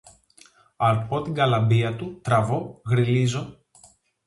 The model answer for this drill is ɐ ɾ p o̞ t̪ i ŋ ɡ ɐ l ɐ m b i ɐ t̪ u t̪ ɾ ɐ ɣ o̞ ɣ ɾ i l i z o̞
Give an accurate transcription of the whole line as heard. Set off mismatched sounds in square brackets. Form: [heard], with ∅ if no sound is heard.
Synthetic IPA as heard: ɐ ɾ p o̞ t̪ i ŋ ɡ ɐ l ɐ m b i ɐ t̪ u t̪ ɾ ɐ [v] o̞ ɣ ɾ i l i z o̞